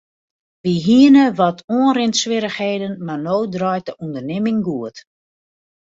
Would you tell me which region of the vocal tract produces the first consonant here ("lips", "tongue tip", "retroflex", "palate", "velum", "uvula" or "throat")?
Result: lips